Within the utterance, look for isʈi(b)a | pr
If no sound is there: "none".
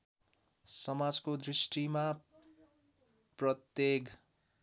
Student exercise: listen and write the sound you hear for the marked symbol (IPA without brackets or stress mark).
m